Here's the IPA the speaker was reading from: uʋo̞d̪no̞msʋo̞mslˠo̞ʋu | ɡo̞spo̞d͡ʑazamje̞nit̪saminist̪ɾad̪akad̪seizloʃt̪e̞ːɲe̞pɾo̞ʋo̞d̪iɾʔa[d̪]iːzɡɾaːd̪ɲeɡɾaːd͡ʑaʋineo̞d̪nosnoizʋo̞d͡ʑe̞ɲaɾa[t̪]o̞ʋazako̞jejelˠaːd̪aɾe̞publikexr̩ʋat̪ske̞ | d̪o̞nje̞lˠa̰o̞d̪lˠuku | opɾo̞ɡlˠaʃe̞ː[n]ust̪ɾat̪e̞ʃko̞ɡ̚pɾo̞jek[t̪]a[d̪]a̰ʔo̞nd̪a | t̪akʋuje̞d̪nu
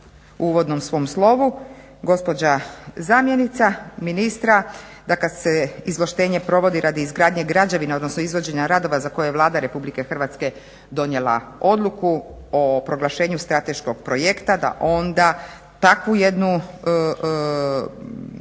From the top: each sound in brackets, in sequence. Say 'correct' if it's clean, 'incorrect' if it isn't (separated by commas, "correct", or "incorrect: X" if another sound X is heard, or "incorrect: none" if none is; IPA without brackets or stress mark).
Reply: correct, incorrect: d̪, incorrect: ɲ, correct, correct